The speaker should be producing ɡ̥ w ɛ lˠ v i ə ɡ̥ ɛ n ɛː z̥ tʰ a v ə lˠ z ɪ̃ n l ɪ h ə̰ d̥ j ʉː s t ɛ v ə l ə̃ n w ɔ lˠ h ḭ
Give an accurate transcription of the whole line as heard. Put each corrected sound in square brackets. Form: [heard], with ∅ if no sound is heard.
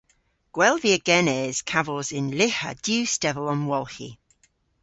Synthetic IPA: ɡ̥ w ɛ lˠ v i ə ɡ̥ ɛ n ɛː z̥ [kʰ] a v ə lˠ z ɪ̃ n l ɪ h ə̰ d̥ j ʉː s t ɛ v ə l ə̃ n w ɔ lˠ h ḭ